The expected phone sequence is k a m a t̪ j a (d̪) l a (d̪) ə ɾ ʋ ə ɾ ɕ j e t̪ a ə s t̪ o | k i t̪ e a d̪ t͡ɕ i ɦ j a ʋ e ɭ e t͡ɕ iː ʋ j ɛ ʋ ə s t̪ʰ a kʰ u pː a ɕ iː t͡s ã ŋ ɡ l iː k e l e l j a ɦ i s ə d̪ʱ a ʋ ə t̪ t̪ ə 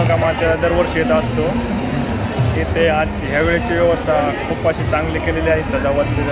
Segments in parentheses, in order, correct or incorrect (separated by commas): incorrect, correct